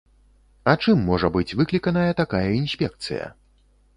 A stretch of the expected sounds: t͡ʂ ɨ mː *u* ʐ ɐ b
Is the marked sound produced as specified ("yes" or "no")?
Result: no